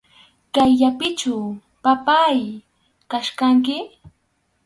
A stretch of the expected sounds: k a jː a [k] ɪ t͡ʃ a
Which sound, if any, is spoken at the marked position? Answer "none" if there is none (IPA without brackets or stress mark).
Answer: p